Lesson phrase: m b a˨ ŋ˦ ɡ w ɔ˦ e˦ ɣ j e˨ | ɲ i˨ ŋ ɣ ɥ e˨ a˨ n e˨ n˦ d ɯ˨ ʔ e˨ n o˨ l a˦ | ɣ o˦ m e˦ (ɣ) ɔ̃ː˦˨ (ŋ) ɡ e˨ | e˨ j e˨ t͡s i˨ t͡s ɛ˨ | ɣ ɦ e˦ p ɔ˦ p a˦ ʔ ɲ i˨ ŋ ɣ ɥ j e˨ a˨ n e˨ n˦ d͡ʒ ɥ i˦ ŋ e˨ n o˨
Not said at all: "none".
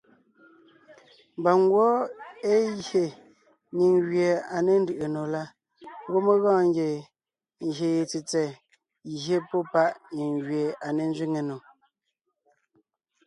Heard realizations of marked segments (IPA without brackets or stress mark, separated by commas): ɣ, ŋ